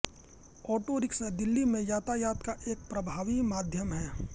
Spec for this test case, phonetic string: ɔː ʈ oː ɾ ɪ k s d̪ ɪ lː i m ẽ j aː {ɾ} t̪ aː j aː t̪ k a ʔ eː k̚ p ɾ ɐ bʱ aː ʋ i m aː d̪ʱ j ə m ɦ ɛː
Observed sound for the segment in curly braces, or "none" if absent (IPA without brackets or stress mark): none